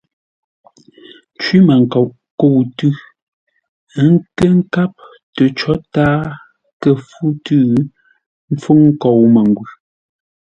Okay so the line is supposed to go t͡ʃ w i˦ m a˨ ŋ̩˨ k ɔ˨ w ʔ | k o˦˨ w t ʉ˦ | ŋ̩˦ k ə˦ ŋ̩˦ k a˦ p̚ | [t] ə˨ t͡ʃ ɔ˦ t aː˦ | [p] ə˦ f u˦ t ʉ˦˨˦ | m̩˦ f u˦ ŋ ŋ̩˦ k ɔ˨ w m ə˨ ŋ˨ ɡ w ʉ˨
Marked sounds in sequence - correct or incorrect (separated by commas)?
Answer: correct, incorrect